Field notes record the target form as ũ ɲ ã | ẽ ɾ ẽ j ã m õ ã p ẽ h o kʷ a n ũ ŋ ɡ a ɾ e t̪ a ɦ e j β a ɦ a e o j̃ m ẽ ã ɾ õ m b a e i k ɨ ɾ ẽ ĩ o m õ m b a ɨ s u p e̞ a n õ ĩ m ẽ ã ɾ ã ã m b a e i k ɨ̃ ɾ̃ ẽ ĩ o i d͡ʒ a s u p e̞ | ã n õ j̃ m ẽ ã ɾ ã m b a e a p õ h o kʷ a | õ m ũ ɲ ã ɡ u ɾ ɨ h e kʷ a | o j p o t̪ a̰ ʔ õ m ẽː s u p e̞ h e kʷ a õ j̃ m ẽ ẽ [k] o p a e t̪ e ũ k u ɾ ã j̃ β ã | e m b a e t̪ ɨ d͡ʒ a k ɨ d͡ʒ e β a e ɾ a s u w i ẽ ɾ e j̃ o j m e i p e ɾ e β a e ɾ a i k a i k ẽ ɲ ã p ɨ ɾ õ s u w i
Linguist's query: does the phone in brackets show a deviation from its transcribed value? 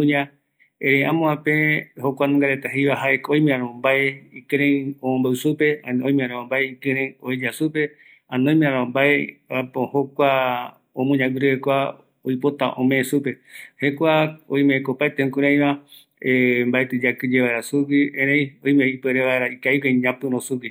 no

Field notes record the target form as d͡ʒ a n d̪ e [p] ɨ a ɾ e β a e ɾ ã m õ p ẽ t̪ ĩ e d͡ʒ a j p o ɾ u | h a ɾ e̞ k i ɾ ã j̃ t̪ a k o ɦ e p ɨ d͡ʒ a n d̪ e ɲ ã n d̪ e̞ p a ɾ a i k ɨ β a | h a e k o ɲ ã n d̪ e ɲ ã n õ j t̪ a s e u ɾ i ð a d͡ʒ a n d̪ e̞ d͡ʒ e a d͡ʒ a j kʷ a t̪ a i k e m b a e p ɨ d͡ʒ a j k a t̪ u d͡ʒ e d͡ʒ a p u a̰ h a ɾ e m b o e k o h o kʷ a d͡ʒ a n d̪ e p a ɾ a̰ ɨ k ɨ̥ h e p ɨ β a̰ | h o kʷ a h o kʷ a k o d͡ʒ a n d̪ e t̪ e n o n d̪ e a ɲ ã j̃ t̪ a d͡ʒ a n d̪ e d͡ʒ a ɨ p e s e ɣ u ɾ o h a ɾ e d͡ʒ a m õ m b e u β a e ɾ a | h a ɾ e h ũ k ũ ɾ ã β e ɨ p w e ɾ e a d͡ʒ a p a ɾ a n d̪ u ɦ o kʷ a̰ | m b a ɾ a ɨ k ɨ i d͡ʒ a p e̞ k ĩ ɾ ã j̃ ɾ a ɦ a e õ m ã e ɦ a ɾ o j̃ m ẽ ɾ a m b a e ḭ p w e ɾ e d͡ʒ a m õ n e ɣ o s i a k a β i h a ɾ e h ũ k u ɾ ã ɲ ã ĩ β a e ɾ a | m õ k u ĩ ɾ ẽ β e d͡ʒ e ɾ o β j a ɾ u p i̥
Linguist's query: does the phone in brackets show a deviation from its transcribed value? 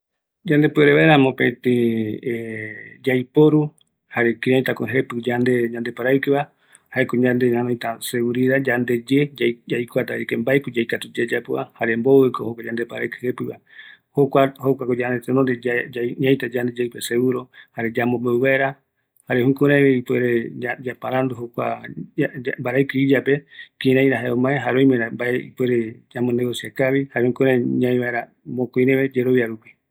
no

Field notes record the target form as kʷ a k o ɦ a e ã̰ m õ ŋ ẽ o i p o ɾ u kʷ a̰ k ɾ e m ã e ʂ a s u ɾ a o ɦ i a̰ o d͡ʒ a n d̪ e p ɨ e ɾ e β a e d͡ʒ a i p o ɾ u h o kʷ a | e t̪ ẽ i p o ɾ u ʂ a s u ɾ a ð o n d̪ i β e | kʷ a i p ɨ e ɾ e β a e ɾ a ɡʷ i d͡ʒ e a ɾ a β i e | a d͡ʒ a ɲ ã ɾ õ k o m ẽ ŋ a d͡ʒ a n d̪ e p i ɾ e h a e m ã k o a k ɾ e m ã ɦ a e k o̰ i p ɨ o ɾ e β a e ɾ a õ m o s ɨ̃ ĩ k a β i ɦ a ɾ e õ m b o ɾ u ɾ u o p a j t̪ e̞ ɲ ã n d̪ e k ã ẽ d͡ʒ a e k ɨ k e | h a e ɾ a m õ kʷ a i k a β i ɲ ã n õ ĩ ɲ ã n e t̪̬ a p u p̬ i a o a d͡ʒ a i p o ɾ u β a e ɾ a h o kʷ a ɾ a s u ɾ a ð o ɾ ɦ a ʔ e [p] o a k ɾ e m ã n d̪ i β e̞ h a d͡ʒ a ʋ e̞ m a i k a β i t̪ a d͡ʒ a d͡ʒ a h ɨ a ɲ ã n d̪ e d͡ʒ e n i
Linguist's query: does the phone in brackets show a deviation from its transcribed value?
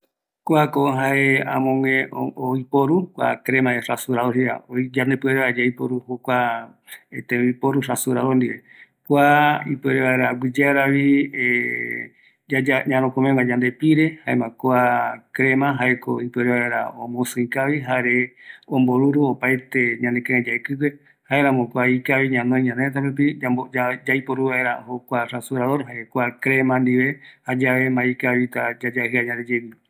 yes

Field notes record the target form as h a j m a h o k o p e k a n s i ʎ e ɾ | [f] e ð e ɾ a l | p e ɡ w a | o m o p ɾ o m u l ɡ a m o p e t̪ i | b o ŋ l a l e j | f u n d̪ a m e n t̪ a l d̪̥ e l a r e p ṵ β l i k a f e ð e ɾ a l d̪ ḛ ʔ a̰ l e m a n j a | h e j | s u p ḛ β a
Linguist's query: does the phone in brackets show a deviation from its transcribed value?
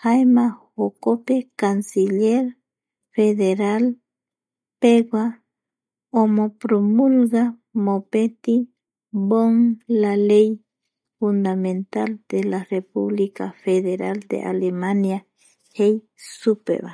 no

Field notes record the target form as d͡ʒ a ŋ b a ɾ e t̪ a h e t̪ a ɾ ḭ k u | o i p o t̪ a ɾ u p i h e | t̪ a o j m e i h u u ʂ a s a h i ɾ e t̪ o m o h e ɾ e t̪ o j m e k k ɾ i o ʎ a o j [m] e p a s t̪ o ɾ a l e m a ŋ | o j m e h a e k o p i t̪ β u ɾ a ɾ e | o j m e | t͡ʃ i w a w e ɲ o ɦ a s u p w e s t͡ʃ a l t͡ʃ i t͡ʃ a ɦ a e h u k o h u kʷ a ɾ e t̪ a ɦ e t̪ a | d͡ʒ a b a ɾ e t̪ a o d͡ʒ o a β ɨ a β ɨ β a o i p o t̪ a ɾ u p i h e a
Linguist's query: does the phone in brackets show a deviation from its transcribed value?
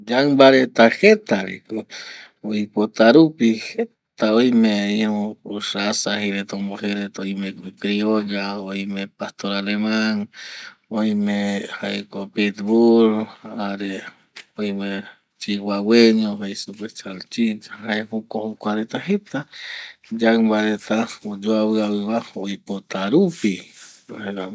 no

